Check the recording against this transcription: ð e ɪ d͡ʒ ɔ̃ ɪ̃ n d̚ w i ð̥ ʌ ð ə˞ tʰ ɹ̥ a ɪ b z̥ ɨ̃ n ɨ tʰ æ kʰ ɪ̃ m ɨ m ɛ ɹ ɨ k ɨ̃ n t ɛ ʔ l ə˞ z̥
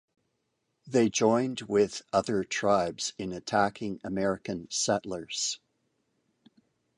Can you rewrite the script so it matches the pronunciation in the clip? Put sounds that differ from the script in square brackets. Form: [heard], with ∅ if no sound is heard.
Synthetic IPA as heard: ð e ɪ d͡ʒ ɔ̃ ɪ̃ n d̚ w [ɪ] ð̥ ʌ ð ə˞ tʰ ɹ̥ a ɪ b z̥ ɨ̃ n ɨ tʰ æ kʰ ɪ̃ [ŋ] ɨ m ɛ ɹ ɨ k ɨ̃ n [s] ɛ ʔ l ə˞ z̥

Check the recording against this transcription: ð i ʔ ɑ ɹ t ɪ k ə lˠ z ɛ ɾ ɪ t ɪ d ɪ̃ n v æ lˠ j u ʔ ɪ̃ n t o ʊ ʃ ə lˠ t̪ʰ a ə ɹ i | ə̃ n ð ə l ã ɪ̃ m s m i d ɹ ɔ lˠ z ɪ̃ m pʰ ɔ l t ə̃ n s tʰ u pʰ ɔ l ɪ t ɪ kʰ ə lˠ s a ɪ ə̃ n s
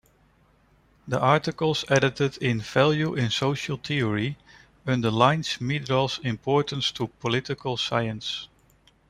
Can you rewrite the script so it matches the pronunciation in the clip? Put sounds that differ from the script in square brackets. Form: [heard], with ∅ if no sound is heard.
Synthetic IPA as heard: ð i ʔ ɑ ɹ t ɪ k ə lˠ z ɛ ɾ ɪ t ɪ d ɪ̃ n v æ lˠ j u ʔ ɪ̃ n [s] o ʊ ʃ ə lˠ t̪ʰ [i] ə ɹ i | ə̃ n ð ə l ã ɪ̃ [n] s m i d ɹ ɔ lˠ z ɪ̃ m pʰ ɔ [ɹ] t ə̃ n s tʰ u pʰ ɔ l ɪ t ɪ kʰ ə lˠ s a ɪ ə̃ n s

